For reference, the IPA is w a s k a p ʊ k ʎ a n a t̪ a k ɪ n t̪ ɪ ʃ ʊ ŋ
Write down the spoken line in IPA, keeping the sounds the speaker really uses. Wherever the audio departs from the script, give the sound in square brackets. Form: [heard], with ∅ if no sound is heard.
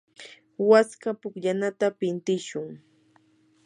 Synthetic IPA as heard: w a s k a p ʊ k ʎ a n a t̪ a [p] ɪ n t̪ ɪ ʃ ʊ ŋ